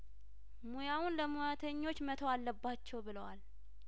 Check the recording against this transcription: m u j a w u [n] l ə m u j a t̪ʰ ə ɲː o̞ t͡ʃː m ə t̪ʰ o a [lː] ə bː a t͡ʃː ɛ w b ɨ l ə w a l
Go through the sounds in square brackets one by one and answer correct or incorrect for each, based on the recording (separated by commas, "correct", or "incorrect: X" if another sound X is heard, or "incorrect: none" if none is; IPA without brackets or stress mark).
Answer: correct, correct